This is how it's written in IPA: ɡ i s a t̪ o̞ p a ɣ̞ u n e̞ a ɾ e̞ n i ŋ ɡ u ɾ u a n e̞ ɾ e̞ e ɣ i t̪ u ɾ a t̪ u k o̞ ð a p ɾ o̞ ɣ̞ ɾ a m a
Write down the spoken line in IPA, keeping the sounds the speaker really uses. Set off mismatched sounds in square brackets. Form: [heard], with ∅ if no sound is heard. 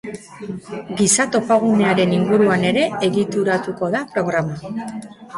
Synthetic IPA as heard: ɡ i s a t̪ o̞ p a ɣ̞ u n e̞ a ɾ e̞ n i ŋ ɡ u ɾ u a n e̞ ɾ e̞ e ɣ i t̪ u ɾ a t̪ u k o̞ ð a p ɾ o̞ ɣ̞ ɾ a m a